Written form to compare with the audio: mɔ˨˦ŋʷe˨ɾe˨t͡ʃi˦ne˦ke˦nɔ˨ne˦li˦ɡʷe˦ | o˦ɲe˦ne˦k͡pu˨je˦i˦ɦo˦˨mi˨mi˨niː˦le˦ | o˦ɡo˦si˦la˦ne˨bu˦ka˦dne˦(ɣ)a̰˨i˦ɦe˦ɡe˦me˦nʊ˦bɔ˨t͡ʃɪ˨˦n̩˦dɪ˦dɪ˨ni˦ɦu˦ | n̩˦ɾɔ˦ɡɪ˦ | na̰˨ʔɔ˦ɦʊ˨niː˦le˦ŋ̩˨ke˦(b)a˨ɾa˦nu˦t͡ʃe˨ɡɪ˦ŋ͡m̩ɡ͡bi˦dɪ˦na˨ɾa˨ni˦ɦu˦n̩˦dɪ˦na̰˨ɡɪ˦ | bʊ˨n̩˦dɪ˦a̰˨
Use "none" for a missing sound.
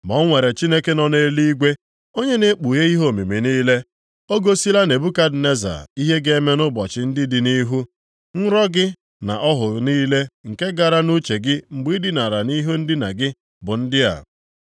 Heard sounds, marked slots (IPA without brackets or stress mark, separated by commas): z, ɡ